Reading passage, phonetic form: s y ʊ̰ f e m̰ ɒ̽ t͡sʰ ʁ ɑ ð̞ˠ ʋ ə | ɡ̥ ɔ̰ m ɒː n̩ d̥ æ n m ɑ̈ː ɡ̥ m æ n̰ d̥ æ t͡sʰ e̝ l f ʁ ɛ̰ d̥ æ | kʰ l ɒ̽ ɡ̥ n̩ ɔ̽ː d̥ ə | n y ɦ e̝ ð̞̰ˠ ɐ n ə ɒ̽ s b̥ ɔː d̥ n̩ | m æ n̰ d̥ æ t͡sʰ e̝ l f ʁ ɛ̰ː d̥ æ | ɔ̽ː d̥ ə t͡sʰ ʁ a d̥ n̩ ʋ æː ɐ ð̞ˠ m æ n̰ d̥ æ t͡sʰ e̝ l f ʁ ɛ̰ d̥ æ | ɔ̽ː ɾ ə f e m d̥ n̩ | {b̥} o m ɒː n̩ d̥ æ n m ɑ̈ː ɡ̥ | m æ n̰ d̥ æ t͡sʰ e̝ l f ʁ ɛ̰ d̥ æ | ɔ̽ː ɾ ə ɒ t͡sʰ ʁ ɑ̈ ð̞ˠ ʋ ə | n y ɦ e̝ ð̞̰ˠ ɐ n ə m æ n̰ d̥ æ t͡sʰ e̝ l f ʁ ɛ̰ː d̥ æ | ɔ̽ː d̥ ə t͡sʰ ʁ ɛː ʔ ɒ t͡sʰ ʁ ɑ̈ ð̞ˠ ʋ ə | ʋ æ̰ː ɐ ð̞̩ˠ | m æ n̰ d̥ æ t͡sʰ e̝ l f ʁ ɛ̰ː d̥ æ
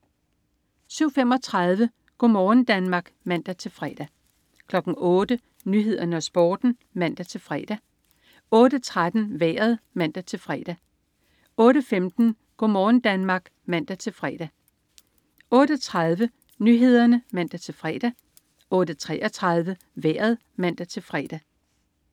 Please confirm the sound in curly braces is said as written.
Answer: no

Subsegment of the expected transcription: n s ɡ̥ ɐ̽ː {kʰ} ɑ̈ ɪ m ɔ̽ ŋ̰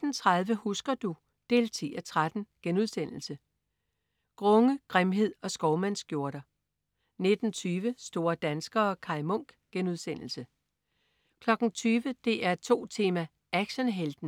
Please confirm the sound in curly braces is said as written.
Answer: yes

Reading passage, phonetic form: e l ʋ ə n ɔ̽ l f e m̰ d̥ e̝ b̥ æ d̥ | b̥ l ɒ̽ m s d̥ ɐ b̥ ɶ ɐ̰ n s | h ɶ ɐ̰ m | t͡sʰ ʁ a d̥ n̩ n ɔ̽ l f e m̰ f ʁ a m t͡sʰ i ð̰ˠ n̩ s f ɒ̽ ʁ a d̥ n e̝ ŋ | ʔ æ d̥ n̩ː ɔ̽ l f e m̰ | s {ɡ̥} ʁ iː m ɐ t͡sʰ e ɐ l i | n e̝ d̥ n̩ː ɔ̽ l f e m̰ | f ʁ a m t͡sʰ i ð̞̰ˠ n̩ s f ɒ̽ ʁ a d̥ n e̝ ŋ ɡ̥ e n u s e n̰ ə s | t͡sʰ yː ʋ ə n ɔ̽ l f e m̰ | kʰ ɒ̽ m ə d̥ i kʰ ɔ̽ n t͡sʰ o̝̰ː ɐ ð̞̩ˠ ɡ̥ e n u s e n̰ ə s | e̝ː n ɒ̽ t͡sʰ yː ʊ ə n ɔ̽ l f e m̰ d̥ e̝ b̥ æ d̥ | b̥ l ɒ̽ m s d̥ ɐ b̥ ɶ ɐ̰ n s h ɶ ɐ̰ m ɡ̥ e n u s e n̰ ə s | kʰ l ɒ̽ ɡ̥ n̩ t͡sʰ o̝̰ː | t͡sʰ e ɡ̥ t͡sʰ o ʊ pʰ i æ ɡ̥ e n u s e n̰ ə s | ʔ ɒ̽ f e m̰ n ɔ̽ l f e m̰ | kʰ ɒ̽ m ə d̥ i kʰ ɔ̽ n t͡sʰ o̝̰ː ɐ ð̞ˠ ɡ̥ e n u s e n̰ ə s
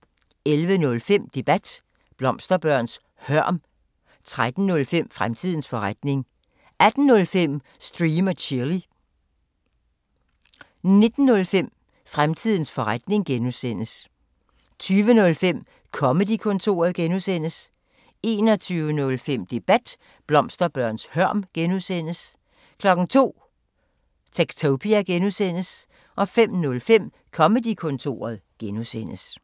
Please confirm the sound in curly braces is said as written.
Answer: no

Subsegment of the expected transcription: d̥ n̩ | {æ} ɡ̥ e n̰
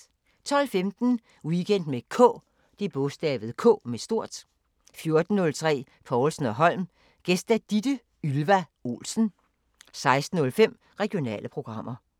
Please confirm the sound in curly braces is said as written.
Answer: no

